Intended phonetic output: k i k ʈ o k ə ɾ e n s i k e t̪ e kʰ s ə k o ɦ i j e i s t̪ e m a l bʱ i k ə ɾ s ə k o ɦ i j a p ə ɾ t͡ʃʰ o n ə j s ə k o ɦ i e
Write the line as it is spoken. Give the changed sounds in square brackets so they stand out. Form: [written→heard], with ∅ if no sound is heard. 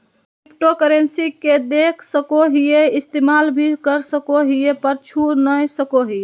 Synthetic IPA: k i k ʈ o k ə ɾ e n s i k e [t̪→d̪] e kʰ s ə k o ɦ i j e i s t̪ e m a l bʱ i k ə ɾ s ə k o ɦ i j [a→e] p ə ɾ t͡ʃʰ [o→u] n ə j s ə k o ɦ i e